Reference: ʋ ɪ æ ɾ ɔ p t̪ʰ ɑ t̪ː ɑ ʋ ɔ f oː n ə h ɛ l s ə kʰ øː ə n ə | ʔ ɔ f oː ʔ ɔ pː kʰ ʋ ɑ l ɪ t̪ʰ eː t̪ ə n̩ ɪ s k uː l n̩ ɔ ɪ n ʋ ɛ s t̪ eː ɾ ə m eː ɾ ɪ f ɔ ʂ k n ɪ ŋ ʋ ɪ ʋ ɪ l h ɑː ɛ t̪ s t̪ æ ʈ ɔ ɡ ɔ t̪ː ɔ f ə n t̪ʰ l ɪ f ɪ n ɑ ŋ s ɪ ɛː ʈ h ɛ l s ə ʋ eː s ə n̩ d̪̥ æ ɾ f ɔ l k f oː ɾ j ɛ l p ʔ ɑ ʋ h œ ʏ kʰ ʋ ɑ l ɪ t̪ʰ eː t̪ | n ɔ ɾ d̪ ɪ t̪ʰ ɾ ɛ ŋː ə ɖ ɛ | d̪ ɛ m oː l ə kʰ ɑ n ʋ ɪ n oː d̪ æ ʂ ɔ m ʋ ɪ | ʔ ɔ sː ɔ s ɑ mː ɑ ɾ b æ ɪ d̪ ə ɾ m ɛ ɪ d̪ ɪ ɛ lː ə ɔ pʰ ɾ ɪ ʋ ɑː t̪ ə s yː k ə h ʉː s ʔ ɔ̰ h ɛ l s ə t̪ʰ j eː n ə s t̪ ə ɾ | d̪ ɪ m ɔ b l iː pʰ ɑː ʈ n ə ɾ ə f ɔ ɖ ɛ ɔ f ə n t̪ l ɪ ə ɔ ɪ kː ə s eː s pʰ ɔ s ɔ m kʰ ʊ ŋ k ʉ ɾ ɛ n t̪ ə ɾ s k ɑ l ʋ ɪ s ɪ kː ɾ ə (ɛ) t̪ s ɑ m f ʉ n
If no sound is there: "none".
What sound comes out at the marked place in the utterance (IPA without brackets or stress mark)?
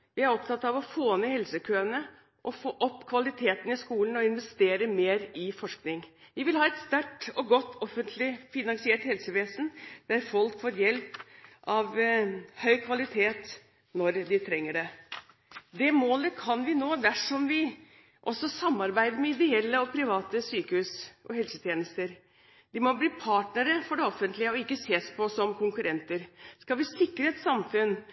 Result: ɛ